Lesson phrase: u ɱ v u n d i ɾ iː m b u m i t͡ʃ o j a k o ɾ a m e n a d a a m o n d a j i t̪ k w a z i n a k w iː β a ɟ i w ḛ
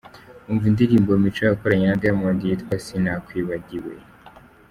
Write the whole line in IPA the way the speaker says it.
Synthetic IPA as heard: u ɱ v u n d i ɾ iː m b o m i t͡ʃ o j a k o ɾ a ɲ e n a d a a m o n d i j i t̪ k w a s i n a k w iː β a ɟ i w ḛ